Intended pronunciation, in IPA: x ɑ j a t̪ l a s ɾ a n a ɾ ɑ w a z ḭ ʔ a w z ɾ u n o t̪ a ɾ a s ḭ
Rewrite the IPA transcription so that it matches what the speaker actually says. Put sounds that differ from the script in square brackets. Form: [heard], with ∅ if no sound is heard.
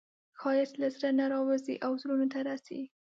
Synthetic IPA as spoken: x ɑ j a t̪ l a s ɾ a n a ɾ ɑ w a z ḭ ʔ a w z ɾ u n o t̪ a ɾ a s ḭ